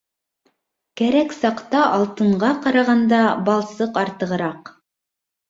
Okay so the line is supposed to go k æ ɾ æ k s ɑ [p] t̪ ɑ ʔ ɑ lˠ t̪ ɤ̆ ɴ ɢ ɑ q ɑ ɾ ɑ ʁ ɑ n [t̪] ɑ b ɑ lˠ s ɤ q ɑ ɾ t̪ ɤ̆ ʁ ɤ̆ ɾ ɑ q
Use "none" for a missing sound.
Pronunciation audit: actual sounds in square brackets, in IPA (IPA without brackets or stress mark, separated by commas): q, d̪